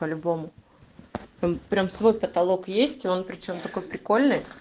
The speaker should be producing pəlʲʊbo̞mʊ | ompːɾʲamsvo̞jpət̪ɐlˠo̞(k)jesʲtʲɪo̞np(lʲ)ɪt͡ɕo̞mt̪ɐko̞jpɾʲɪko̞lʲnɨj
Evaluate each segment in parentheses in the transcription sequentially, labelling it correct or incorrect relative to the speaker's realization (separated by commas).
correct, incorrect